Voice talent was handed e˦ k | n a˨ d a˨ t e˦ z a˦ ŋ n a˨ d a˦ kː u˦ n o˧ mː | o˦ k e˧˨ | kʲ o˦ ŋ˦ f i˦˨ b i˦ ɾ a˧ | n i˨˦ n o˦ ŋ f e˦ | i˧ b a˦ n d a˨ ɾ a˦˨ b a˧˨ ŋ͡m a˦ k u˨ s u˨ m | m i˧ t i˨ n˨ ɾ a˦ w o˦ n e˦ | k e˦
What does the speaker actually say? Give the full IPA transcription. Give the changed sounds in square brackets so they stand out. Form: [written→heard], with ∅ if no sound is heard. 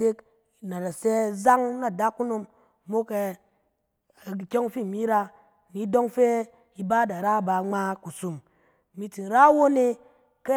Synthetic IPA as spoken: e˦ k | n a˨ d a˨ [t→s] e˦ z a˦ ŋ n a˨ d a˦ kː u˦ n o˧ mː | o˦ k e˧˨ | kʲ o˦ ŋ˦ f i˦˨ [b→m] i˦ ɾ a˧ | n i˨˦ [n→d] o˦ ŋ f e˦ | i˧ b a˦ [n→∅] d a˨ ɾ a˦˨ b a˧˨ ŋ͡m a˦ k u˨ s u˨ m | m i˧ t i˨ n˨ ɾ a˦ w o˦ n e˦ | k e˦